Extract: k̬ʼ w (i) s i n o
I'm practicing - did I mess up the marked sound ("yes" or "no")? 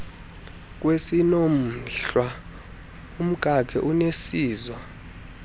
yes